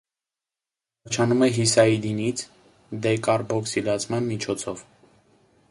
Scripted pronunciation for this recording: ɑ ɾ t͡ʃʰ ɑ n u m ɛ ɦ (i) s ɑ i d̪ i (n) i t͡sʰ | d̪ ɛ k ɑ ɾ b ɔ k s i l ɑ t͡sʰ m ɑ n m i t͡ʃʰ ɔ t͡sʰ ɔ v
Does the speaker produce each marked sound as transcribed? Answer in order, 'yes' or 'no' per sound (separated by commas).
yes, yes